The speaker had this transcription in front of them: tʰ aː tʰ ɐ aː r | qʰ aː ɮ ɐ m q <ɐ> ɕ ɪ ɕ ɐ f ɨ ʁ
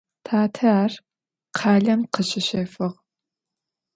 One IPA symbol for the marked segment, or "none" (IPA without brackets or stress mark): ə